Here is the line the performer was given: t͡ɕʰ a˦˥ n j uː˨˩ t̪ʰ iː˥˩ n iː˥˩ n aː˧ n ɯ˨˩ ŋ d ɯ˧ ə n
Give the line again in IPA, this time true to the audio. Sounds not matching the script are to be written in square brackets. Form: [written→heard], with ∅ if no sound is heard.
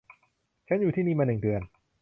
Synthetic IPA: t͡ɕʰ a˦˥ n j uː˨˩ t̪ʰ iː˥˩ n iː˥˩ [n→m] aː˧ n ɯ˨˩ ŋ d ɯ˧ ə n